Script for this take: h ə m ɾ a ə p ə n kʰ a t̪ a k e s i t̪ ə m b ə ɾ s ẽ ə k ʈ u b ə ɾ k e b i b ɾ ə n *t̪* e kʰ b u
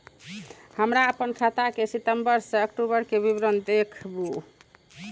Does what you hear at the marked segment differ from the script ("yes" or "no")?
yes